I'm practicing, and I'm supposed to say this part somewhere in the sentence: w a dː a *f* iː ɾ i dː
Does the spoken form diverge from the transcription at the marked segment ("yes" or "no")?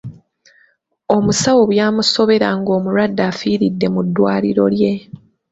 no